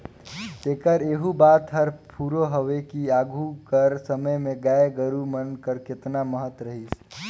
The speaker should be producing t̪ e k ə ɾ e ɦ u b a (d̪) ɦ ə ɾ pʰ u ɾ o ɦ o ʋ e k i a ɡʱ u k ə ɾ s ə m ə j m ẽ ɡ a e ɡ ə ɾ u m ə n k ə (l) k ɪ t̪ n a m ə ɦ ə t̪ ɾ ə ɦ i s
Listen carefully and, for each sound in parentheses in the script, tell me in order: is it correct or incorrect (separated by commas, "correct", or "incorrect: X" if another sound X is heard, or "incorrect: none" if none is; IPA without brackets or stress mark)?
incorrect: t̪, incorrect: ɾ